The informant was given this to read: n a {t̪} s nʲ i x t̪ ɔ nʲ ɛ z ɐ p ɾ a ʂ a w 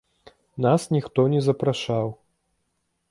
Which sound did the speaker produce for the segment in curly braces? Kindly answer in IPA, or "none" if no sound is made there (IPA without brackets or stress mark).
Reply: none